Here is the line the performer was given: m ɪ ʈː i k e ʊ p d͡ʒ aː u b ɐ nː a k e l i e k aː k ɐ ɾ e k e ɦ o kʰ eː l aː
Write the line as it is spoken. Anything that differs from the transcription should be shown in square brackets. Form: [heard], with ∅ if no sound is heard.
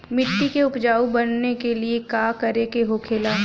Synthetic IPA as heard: m ɪ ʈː i k e ʊ p d͡ʒ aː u b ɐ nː [e] k e l i e k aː k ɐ ɾ e k e ɦ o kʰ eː l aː